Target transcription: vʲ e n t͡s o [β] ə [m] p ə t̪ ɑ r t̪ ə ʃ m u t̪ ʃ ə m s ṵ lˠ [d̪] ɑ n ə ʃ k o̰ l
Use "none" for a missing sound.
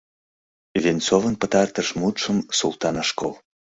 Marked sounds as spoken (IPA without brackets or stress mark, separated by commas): v, n, t̪